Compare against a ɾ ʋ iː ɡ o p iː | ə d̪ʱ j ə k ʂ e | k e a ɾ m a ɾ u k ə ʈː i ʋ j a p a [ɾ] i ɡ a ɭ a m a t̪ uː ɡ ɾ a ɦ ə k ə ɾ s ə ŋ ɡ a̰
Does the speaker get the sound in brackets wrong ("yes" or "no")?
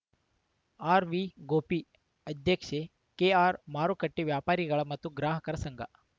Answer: no